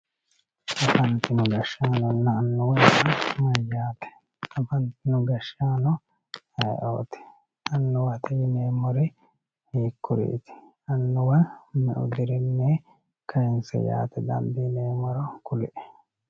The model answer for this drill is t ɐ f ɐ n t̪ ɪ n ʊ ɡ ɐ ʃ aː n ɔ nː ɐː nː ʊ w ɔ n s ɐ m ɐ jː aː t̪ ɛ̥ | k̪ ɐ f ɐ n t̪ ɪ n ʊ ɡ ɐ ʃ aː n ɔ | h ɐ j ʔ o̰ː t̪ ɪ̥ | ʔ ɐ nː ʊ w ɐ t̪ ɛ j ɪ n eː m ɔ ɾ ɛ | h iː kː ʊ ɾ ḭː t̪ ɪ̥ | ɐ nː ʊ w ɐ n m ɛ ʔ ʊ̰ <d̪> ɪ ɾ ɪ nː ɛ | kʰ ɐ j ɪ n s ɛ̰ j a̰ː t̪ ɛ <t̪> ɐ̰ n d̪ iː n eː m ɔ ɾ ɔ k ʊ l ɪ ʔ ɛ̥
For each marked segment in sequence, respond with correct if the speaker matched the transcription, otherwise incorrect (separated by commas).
correct, incorrect